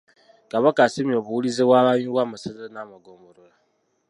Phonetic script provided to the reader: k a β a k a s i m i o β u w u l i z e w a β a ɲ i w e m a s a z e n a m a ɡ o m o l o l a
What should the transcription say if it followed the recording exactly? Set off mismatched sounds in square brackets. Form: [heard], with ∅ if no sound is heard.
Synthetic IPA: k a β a k a s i m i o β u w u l i z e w a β a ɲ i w [a] m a s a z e n a m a ɡ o m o [ɾ] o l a